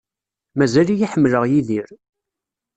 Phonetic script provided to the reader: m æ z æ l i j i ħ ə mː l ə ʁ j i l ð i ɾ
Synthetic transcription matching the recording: m æ z æ l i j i ħ ə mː l ə ʁ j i ð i ɾ